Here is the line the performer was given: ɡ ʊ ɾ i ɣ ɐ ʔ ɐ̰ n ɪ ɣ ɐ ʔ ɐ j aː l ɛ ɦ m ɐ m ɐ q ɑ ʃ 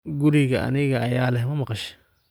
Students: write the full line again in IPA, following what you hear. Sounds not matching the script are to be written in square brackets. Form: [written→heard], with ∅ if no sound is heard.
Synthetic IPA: ɡ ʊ ɾ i ɣ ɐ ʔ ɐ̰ n ɪ ɣ ɐ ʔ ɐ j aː l ɛ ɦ m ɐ m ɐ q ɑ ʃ